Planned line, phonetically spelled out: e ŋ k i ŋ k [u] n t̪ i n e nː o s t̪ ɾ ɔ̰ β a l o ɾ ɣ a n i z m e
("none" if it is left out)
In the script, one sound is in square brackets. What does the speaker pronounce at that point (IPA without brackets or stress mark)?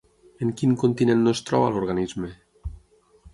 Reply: o